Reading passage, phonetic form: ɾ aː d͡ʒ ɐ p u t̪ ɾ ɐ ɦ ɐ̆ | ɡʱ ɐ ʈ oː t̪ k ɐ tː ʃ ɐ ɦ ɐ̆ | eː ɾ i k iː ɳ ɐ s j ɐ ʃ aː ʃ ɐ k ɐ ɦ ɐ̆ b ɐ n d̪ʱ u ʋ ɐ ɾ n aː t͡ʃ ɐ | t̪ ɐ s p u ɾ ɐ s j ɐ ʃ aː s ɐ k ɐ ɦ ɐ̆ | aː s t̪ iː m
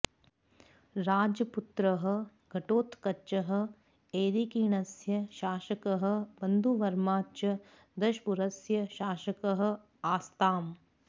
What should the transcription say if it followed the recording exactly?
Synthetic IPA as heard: ɾ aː d͡ʒ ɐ p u t̪ ɾ ɐ ɦ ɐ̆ | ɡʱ ɐ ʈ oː t̪ k ɐ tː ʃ ɐ ɦ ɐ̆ | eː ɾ i k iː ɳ ɐ s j ɐ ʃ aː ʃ ɐ k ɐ ɦ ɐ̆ b ɐ n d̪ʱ u ʋ ɐ ɾ m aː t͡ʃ ɐ | d̪ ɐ ʃ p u ɾ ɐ s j ɐ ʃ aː ʃ ɐ k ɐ ɦ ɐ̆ | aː s t̪ aː m